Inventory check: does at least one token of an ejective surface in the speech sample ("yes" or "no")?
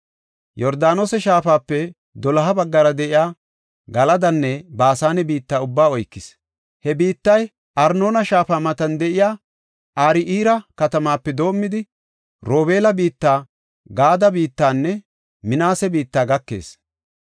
no